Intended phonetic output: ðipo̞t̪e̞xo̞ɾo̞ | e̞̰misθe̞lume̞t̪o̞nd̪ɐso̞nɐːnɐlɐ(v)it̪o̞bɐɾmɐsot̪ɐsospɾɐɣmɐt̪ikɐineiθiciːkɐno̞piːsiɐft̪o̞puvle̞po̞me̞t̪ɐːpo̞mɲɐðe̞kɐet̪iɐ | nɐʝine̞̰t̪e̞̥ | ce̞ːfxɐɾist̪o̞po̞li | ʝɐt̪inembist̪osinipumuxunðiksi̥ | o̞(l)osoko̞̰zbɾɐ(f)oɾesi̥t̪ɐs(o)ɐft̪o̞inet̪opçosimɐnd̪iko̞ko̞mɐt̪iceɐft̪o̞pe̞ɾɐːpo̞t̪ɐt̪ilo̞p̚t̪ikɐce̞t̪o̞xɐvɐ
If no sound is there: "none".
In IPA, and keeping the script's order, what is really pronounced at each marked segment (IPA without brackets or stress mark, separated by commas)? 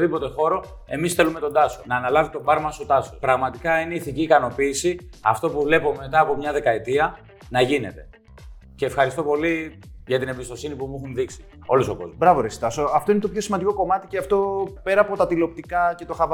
v, l, v, o